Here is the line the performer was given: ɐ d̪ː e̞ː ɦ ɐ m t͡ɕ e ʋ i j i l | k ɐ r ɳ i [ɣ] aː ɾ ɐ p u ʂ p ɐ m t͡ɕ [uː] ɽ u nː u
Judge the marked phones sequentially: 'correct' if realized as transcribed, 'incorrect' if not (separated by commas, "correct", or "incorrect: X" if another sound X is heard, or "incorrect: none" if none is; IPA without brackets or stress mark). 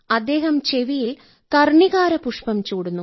correct, correct